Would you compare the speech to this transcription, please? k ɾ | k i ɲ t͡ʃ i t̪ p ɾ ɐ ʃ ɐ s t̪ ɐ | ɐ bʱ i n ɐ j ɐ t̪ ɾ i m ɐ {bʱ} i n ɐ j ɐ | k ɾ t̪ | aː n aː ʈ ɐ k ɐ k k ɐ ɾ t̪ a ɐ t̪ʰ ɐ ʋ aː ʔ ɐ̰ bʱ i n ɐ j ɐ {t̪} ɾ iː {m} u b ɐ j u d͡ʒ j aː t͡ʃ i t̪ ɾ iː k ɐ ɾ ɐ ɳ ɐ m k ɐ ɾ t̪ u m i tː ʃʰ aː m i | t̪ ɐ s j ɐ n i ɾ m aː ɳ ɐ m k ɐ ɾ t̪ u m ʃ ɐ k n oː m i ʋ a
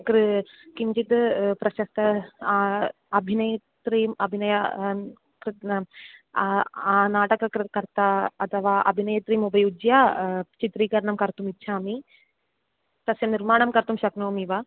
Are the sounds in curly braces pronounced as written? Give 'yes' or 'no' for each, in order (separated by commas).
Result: yes, yes, yes